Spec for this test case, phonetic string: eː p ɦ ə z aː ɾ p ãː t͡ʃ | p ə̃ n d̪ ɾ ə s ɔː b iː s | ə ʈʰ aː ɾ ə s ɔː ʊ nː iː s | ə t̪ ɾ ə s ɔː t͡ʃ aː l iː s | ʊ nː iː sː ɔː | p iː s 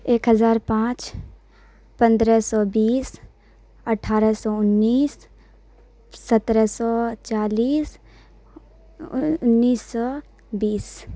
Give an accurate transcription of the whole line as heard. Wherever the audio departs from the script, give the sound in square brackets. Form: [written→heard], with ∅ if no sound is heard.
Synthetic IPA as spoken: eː [p→k] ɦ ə z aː ɾ p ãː t͡ʃ | p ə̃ n d̪ ɾ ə s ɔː b iː s | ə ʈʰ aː ɾ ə s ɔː ʊ nː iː s | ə t̪ ɾ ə s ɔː t͡ʃ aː l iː s | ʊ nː iː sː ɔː | [p→b] iː s